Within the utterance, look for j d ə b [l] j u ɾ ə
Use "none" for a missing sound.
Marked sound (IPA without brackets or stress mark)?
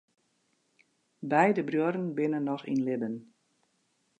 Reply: r